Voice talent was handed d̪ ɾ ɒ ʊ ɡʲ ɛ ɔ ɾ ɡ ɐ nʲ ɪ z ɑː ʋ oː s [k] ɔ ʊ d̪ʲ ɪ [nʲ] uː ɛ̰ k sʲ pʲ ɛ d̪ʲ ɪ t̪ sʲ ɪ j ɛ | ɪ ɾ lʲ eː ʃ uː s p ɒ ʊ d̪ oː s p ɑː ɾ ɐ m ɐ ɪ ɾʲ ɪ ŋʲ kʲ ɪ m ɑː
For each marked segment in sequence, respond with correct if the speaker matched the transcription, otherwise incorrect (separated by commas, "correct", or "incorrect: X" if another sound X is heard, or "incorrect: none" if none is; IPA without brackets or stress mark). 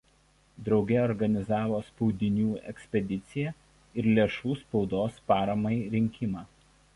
incorrect: p, correct